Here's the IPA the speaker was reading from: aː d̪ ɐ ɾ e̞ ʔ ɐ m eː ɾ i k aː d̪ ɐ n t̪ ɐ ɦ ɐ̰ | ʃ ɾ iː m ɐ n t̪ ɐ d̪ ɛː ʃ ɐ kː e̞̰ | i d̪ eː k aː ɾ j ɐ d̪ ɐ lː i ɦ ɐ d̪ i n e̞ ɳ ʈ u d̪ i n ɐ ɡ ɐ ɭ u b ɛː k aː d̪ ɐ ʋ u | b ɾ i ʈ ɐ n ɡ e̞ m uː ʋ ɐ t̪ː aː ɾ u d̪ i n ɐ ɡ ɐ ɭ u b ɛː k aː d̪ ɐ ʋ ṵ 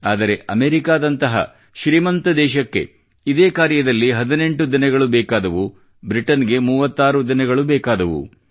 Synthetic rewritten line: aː d̪ ɐ ɾ e̞ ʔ ɐ m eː ɾ i k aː d̪ ɐ n t̪ ɐ ɦ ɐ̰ | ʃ ɾ iː m ɐ n t̪ ɐ d̪ ɛː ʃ ɐ kː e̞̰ | i d̪ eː k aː ɾ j ɐ d̪ ɐ lː i ɦ ɐ d̪ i n e̞ ɳ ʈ u d̪ i n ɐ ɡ ɐ ɭ u b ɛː k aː d̪ ɐ ʋ u | b ɾ i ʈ ɐ n ɡ e̞ m uː ʋ ɐ t̪ː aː ɾ u d̪ i n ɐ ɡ ɐ ɭ u b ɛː k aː d̪ ɐ ʋ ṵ